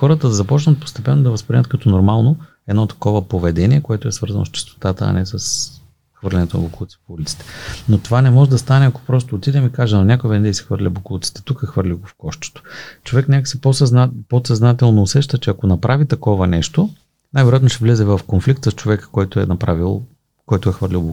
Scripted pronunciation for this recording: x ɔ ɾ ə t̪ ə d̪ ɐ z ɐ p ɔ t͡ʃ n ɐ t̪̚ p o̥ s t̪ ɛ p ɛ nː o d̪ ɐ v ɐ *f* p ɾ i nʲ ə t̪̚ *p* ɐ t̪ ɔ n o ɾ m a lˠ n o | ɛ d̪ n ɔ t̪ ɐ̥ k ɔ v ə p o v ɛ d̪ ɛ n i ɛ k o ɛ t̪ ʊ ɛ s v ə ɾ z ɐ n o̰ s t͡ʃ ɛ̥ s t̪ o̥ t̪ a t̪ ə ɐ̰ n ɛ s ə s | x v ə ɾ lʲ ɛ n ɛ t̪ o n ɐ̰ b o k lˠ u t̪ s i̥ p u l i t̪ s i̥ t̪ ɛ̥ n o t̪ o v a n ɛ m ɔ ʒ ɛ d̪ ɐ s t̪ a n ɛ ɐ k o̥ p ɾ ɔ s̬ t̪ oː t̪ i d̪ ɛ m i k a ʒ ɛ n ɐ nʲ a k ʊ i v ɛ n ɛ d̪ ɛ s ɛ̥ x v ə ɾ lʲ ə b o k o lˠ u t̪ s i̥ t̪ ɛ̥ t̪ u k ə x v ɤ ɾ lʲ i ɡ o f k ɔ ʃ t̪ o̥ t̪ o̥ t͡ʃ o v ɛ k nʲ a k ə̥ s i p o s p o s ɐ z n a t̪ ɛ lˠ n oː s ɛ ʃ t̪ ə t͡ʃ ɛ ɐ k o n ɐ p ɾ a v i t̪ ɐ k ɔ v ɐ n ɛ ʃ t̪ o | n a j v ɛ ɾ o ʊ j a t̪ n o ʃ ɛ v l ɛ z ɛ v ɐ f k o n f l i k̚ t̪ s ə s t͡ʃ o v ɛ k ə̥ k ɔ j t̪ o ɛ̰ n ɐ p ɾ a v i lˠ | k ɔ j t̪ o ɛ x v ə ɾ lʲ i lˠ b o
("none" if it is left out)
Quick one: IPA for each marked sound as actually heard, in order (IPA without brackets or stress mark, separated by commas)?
s, k